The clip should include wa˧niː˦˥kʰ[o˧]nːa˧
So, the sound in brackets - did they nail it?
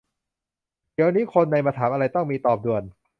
yes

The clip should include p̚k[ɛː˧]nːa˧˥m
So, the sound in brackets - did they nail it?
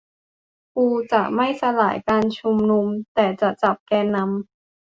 yes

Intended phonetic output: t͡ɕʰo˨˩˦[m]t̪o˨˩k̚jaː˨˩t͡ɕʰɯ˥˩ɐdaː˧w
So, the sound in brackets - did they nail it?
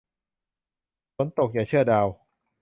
no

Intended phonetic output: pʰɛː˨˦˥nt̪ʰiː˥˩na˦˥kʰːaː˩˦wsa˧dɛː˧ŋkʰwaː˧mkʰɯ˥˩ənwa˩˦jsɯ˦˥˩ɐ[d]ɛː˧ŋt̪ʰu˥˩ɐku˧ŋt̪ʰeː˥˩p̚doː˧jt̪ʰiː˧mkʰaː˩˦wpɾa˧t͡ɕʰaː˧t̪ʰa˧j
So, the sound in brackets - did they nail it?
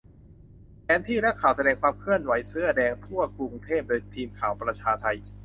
yes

